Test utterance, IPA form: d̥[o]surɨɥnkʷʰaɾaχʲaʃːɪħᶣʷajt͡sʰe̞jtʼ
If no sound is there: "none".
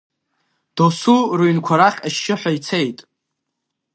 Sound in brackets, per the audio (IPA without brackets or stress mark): o